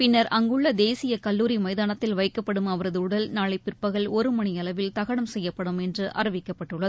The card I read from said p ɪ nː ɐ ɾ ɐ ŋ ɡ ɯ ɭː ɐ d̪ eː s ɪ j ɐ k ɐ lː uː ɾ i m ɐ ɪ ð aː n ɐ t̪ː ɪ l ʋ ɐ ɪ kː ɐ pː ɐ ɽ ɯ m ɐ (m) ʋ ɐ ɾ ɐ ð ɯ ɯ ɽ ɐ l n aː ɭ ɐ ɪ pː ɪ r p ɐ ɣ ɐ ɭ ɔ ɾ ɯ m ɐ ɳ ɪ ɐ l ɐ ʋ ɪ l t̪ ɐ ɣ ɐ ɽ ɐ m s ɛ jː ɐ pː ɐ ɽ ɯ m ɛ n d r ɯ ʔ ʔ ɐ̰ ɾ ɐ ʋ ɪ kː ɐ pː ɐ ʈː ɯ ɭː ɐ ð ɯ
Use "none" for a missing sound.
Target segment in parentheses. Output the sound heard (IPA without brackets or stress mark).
none